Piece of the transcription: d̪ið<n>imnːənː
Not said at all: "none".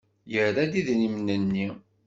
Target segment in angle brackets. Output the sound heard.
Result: n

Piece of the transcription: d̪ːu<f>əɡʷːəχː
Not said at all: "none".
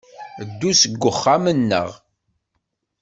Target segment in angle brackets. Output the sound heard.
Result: s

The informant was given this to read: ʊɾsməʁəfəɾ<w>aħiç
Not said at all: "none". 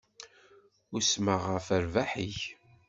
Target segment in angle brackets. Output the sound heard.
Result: v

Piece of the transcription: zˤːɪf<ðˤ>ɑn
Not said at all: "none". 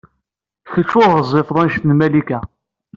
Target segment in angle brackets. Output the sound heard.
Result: ðˤ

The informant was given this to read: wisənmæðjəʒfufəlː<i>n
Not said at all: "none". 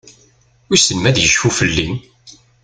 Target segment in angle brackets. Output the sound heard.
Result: i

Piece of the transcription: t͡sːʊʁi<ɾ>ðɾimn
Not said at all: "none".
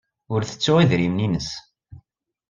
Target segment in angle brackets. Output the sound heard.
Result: none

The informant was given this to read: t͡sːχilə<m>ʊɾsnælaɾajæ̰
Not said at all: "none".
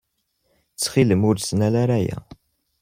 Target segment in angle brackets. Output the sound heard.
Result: m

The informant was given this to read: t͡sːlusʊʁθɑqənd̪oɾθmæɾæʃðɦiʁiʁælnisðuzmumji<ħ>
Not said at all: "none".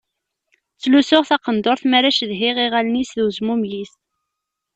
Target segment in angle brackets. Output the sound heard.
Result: s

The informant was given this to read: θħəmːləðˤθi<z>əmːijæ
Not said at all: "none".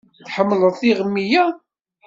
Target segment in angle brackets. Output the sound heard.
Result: ʁ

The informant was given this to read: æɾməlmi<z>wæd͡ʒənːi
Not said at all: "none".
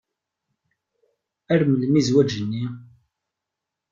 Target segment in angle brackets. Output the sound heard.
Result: z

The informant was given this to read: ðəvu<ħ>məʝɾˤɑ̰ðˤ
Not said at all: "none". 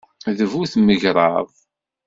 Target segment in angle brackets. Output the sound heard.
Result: θ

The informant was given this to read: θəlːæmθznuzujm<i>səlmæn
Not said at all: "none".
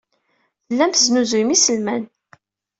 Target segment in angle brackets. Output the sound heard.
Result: i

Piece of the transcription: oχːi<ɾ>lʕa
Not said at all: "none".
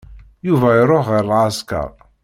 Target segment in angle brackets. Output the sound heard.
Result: ɾ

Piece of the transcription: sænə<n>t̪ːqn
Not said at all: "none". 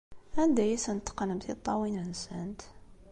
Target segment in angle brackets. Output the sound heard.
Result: none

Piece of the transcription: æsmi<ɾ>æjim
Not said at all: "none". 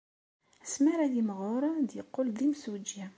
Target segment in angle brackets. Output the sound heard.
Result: ɾ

